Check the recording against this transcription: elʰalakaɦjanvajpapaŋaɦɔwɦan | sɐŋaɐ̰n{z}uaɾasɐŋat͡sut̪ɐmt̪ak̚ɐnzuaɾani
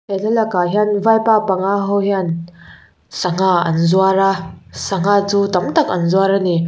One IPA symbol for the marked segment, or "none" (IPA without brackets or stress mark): z